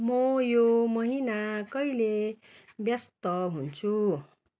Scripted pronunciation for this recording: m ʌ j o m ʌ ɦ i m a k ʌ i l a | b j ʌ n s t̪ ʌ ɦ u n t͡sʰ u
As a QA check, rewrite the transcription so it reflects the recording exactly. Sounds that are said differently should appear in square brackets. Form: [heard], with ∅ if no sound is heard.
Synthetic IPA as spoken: m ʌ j o m ʌ ɦ i [n] a k ʌ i l [e] | b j ʌ [∅] s t̪ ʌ ɦ u n t͡sʰ u